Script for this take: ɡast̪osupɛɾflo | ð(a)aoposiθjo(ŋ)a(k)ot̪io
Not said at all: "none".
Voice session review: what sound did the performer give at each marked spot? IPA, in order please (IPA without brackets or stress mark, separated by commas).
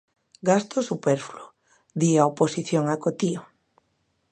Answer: i, ŋ, k